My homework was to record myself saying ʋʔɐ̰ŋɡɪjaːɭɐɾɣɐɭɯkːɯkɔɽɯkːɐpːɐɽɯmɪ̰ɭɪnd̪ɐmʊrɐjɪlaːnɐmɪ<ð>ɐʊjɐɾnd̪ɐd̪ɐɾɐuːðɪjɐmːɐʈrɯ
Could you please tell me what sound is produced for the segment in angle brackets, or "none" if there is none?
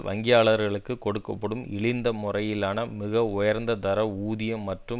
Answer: ɣ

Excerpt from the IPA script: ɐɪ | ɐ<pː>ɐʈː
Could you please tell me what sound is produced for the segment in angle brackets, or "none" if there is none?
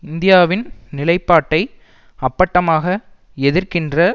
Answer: pː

